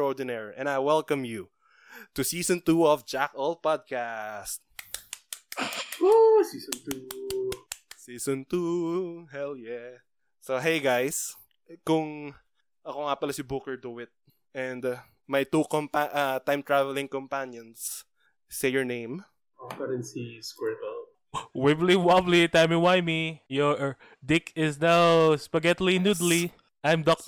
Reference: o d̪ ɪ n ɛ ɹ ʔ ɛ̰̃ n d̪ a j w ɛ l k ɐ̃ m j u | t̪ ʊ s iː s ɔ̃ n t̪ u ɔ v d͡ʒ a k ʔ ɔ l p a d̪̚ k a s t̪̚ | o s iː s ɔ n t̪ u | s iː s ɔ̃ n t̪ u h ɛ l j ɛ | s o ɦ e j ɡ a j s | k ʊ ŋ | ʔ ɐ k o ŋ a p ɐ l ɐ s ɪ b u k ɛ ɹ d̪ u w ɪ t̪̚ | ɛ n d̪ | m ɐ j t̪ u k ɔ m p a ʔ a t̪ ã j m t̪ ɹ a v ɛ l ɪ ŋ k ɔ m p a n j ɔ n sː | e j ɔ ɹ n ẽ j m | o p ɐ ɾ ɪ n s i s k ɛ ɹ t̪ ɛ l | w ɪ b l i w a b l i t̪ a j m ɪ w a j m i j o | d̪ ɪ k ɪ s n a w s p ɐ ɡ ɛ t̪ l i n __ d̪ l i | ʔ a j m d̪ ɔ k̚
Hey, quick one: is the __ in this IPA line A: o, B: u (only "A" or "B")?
B